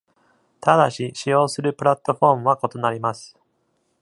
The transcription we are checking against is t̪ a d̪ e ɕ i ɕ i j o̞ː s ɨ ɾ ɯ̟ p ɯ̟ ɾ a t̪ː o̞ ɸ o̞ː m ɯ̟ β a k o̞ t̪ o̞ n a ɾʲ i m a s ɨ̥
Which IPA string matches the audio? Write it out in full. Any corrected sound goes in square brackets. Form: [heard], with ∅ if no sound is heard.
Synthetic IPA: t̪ a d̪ [a] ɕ i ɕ i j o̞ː s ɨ ɾ ɯ̟ p ɯ̟ ɾ a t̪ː o̞ ɸ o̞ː m ɯ̟ β a k o̞ t̪ o̞ n a ɾʲ i m a s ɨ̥